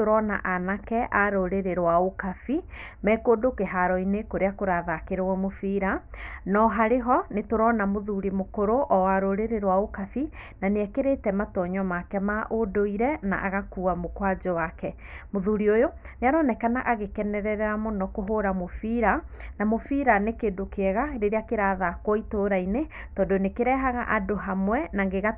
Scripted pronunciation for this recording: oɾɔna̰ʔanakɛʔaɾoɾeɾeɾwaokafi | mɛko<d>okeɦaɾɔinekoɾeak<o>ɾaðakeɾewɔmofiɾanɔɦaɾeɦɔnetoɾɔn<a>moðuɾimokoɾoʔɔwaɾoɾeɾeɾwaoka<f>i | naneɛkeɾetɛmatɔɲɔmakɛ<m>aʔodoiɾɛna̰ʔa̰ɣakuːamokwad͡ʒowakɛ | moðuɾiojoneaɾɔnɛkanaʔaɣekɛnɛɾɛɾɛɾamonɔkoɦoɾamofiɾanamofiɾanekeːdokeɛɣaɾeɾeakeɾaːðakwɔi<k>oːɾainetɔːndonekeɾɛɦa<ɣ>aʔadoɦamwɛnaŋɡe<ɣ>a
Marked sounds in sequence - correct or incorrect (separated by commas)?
correct, correct, correct, correct, correct, incorrect, correct, correct